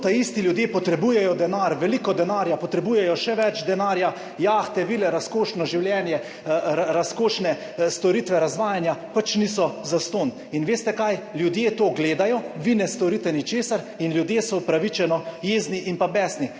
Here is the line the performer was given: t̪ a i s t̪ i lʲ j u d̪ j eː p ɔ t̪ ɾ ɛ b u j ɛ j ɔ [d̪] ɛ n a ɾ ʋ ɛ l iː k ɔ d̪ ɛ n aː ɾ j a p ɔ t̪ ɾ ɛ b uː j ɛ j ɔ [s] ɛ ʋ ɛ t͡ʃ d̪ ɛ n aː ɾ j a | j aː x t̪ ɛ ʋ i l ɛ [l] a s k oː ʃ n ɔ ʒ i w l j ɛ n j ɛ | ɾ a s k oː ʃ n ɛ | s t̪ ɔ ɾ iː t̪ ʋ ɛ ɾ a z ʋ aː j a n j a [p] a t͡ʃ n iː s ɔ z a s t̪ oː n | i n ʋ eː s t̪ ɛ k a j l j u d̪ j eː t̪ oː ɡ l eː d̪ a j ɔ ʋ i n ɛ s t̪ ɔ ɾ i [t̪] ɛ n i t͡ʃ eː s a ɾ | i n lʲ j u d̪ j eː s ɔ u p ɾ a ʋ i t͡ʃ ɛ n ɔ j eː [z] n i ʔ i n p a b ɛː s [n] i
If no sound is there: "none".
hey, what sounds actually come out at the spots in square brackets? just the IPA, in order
d̪, ʃ, ɾ, p, t̪, z, n

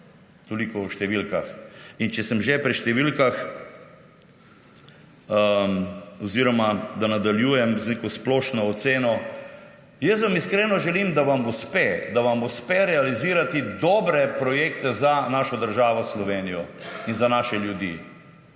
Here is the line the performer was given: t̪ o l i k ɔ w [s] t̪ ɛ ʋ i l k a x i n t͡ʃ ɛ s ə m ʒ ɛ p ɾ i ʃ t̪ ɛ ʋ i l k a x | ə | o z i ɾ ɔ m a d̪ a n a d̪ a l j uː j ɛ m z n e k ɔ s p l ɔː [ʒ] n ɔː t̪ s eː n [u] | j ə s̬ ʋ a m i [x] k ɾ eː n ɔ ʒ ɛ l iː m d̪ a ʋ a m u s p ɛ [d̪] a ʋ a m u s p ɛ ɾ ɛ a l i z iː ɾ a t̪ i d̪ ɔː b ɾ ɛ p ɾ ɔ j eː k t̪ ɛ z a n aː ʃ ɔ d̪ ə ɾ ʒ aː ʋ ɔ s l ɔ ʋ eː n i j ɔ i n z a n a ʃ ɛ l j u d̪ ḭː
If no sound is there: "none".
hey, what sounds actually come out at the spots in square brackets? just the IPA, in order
ʃ, ʃ, ɔ, s, d̪

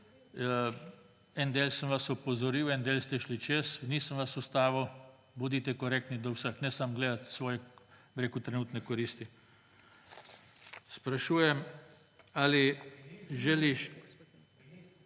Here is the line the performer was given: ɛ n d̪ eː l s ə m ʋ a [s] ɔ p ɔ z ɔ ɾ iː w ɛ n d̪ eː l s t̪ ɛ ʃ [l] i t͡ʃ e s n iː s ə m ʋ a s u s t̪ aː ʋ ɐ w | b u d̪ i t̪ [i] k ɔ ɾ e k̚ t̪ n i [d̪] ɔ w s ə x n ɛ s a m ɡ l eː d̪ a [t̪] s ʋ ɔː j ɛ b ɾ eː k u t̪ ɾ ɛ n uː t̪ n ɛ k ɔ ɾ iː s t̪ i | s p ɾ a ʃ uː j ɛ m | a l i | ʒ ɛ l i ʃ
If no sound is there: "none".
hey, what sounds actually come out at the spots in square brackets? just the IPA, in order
s, l, ɛ, d̪, t̪

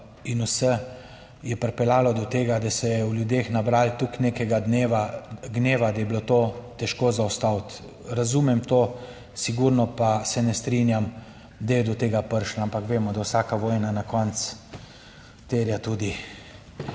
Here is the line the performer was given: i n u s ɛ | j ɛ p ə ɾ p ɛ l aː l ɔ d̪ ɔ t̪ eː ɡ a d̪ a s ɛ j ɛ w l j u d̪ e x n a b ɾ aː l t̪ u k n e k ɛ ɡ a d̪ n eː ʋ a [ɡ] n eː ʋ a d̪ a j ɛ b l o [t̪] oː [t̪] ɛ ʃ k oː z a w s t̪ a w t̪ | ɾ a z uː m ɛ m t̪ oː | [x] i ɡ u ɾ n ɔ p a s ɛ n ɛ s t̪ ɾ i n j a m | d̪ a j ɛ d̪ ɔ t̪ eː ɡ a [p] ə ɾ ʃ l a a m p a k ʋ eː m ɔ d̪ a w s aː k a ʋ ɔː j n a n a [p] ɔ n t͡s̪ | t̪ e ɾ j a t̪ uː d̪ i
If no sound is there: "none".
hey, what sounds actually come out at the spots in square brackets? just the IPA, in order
ɡ, t̪, t̪, s, p, k

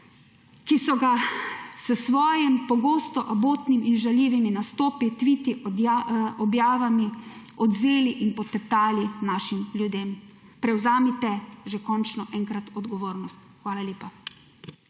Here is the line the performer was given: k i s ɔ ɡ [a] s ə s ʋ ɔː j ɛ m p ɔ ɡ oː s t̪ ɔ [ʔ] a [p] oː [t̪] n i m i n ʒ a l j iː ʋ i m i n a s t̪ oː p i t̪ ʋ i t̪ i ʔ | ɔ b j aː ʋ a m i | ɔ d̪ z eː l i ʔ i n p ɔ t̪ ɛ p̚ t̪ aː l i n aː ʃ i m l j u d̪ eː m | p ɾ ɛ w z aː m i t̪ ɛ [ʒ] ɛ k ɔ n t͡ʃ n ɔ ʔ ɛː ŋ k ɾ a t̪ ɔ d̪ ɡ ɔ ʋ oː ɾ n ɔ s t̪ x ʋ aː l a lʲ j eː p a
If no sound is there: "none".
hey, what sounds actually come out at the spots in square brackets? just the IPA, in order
a, ʔ, b, t̪, ʒ

